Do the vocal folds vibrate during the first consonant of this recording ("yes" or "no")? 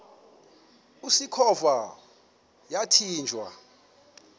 no